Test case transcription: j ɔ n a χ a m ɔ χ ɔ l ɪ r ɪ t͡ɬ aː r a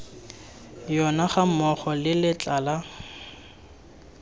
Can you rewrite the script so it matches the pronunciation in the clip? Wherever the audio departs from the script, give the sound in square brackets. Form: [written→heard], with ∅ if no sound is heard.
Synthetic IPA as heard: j ɔ n a χ a m ɔ χ ɔ l ɪ [r→l] ɪ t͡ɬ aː [r→l] a